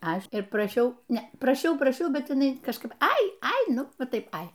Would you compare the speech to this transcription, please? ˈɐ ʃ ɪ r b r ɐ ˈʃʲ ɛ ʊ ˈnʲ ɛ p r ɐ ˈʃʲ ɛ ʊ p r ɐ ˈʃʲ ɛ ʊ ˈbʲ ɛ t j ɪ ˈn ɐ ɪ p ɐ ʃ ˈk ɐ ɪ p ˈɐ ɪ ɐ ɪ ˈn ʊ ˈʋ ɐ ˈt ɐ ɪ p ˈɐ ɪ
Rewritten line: ˈɐ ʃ ɪ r p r ɐ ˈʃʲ ɛ ʊ ˈnʲ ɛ p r ɐ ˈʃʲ ɛ ʊ p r ɐ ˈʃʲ ɛ ʊ ˈbʲ ɛ t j ɪ ˈn ɐ ɪ k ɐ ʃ ˈk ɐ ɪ p ˈɐ ɪ ɐ ɪ ˈn ʊ ˈʋ ɐ ˈt ɐ ɪ p ˈɐ ɪ